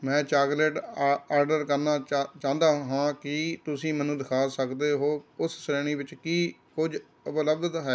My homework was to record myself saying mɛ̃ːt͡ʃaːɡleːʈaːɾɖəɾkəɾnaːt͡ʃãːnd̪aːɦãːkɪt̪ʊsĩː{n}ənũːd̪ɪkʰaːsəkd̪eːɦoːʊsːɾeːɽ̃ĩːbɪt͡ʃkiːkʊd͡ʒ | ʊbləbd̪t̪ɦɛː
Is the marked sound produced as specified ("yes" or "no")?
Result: no